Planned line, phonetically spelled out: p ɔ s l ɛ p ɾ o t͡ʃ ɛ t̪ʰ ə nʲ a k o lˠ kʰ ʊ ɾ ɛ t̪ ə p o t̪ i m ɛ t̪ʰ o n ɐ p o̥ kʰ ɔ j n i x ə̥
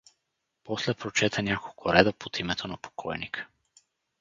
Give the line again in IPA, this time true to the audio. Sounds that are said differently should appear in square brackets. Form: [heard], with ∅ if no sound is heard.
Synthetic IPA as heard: p ɔ s l ɛ p ɾ o t͡ʃ ɛ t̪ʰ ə nʲ a k o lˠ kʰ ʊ ɾ ɛ [d̪] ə p o t̪ i m ɛ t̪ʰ o n ɐ p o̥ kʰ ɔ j n i [k] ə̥